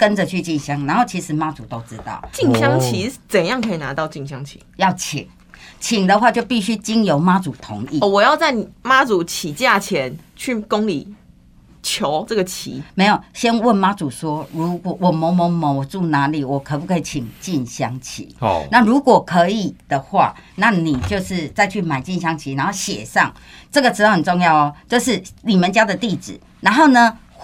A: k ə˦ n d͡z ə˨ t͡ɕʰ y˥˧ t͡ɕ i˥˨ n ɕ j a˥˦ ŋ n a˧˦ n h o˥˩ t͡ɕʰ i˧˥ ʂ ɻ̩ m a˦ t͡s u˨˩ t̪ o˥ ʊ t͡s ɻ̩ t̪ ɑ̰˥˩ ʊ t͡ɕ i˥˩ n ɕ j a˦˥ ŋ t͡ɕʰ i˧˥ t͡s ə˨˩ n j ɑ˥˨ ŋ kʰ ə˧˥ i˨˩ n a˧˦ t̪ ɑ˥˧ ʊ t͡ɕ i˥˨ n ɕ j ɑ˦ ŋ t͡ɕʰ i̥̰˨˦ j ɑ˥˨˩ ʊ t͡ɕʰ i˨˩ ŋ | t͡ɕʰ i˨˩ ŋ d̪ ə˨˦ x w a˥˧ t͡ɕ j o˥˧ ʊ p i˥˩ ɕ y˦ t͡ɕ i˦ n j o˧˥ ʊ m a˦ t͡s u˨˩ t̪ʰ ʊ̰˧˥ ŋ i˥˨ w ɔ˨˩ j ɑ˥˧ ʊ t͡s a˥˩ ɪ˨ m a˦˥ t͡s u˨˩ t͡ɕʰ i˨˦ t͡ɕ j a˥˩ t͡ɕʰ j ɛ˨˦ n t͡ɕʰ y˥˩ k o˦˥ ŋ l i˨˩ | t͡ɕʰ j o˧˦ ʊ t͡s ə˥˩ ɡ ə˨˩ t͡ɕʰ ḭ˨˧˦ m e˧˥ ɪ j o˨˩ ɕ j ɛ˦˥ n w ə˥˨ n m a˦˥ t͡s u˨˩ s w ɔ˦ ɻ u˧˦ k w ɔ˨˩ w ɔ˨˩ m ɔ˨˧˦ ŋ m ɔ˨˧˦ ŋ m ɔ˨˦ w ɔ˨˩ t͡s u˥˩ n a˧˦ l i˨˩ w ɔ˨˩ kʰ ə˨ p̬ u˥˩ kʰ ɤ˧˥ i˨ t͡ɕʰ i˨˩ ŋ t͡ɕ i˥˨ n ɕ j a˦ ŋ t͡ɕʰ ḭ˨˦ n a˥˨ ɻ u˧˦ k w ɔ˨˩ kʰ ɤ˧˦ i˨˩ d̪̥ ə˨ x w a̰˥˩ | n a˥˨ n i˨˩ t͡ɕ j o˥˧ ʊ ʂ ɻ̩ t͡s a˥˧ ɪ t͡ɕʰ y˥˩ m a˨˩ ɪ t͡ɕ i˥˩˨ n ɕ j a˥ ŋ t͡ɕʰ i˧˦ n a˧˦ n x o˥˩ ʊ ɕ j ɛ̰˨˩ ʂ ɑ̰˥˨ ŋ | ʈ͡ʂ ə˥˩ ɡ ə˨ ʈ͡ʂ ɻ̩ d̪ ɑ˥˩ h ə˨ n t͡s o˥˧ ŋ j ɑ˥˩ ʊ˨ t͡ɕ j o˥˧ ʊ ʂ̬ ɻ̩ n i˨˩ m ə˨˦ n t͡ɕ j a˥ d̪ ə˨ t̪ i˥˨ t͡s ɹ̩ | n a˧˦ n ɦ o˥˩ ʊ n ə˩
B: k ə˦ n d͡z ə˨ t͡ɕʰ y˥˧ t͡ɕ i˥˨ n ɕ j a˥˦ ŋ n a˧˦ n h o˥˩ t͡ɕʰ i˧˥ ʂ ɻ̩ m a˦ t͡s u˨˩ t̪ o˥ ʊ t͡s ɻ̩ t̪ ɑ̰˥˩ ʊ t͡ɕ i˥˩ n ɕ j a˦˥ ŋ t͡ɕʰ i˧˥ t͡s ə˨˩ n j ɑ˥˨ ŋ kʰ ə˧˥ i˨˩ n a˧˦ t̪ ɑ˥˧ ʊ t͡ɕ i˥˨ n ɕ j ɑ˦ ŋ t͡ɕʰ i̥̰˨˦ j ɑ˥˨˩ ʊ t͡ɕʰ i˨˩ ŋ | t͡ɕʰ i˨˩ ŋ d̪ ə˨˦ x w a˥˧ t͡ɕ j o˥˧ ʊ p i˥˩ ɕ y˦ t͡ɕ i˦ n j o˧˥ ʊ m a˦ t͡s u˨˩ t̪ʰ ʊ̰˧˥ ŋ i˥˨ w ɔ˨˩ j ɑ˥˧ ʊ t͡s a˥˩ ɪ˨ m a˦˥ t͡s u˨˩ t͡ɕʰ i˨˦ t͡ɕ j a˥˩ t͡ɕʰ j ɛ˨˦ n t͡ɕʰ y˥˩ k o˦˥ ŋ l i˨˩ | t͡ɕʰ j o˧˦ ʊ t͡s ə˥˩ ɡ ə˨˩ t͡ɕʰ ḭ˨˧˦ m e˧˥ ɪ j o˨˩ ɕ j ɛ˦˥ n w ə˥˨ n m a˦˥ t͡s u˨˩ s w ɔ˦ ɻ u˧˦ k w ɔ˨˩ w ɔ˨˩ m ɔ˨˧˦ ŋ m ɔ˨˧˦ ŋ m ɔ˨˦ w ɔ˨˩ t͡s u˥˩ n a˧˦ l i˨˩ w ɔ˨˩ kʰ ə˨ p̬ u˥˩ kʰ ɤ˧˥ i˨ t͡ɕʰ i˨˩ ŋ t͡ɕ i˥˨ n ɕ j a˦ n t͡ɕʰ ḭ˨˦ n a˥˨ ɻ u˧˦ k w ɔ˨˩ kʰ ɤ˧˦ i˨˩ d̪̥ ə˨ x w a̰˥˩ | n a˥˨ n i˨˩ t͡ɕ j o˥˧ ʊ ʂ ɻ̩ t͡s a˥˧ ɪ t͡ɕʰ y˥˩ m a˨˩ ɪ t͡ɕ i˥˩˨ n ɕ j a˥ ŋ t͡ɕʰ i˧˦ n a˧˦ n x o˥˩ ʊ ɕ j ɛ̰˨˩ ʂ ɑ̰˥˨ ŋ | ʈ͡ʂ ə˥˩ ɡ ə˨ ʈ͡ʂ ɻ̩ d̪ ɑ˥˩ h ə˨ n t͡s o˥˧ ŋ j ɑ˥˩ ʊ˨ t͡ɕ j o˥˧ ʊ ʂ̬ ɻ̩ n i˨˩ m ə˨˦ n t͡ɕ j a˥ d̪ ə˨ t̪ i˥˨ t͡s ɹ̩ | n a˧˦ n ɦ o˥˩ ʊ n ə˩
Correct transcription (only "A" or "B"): A